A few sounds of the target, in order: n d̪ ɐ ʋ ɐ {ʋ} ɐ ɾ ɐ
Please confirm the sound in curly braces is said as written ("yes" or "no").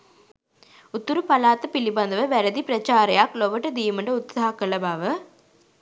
yes